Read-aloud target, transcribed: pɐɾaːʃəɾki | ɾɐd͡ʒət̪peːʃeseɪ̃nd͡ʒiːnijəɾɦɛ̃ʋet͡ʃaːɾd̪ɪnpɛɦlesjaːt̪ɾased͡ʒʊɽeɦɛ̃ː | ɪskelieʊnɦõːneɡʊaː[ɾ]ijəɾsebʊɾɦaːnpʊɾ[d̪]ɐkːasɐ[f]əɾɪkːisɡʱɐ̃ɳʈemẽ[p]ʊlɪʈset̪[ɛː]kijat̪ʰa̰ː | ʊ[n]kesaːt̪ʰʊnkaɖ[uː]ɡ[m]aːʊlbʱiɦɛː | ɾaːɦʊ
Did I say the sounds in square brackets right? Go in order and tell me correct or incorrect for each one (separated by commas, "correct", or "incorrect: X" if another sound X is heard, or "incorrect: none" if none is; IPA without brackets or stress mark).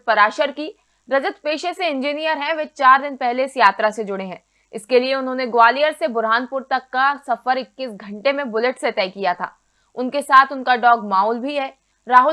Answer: incorrect: l, incorrect: t̪, correct, incorrect: b, correct, correct, incorrect: ɔː, correct